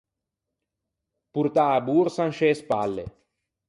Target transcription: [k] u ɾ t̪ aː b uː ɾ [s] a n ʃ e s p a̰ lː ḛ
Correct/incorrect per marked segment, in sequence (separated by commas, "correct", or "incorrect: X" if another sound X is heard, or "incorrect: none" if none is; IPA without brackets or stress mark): incorrect: p, correct